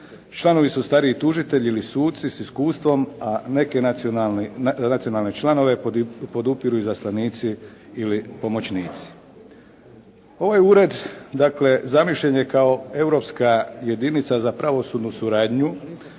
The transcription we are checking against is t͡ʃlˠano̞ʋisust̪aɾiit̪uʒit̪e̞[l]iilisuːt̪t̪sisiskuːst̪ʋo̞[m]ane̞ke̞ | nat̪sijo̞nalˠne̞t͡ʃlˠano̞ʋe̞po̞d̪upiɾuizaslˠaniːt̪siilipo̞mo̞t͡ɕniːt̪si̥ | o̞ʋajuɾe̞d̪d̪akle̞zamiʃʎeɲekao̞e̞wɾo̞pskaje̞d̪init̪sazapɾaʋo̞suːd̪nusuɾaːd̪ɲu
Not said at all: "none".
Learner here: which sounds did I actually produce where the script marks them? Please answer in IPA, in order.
ʎ, m

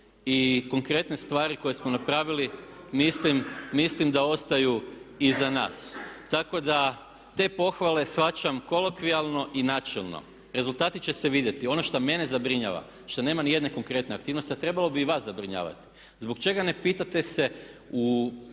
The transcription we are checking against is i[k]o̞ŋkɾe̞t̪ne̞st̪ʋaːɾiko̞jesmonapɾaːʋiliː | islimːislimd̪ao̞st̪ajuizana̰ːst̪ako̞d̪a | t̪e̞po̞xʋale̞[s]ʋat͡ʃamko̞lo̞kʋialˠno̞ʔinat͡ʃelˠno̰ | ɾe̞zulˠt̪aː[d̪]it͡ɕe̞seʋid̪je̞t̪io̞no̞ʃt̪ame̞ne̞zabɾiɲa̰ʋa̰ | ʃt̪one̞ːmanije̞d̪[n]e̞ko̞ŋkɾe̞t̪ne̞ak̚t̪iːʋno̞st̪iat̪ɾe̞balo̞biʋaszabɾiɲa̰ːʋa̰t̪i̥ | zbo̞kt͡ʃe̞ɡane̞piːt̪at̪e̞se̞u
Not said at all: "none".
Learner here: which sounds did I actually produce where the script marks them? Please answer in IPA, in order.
k, s, t̪, n

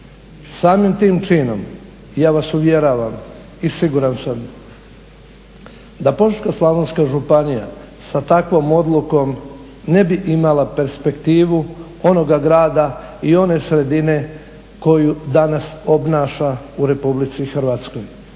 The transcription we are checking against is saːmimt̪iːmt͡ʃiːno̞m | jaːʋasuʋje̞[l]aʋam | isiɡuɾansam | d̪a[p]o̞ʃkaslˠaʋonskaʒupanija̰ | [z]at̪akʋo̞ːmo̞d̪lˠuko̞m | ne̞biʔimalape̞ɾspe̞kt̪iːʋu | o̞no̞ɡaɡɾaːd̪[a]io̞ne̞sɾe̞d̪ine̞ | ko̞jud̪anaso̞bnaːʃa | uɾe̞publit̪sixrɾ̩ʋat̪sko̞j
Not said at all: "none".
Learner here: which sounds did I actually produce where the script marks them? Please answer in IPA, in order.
ɾ, p, s, a

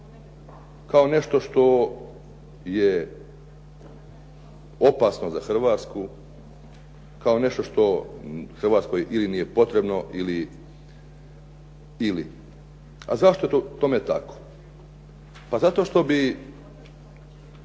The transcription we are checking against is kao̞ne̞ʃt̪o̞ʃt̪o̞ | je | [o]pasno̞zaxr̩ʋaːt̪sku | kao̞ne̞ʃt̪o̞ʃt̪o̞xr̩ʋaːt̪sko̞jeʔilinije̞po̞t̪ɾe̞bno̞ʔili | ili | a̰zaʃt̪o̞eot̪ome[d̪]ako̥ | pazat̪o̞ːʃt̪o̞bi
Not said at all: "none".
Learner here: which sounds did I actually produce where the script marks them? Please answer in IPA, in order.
o, t̪

